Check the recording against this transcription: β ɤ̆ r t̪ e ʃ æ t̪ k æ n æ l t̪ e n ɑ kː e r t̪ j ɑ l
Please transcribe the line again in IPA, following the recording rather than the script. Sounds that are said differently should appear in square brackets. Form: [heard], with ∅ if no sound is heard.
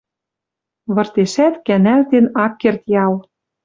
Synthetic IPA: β ɤ̆ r t̪ e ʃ æ t̪ k æ n æ l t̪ e n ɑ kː e r t̪ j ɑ l